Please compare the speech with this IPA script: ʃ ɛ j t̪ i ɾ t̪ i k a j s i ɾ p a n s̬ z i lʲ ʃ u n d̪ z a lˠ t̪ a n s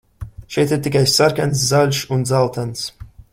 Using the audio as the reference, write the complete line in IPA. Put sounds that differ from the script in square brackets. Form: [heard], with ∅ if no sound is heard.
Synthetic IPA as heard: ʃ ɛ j t̪ i ɾ t̪ i k a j s [a] ɾ [k] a n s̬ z [a] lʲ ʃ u n d̪ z a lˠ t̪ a n s